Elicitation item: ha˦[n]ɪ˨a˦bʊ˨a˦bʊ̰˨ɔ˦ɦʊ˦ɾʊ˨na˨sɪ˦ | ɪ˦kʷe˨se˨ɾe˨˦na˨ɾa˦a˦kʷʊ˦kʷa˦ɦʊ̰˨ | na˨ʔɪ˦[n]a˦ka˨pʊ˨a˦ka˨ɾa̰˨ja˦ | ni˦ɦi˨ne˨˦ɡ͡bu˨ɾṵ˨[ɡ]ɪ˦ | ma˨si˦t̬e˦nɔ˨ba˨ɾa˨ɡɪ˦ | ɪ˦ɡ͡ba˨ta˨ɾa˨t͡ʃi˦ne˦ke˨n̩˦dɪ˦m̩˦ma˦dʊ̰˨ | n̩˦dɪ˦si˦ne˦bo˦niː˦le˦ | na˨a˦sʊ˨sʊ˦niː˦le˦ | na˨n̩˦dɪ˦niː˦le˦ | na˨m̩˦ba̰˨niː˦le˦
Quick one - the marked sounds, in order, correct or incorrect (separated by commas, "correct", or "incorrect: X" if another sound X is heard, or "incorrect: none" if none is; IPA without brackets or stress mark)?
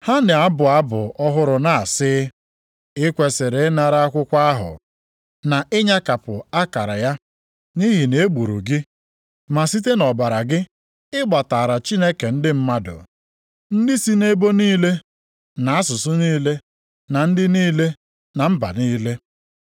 correct, incorrect: ɲ, correct